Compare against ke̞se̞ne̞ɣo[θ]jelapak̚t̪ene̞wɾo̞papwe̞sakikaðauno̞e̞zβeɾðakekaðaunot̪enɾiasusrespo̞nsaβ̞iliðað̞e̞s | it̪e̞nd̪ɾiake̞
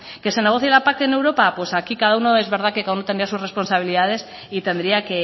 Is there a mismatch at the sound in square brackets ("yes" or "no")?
no